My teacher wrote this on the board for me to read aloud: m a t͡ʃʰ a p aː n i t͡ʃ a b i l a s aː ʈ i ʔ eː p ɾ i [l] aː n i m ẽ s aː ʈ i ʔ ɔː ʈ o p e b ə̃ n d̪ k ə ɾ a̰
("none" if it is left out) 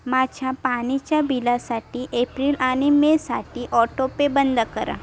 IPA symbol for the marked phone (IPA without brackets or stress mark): l